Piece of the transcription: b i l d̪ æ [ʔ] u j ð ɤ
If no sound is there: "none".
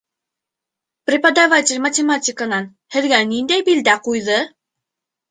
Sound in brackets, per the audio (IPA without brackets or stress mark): q